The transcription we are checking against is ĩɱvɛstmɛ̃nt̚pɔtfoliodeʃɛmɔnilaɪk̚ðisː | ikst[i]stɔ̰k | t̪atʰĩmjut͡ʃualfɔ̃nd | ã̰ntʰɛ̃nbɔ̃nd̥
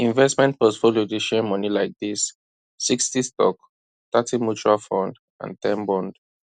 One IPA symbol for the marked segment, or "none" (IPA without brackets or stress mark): i